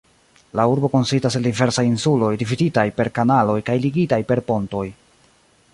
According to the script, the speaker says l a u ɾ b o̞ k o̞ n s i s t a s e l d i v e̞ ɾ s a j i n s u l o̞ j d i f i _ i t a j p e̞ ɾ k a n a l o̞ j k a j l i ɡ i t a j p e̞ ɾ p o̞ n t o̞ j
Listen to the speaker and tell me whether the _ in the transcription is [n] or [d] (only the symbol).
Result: d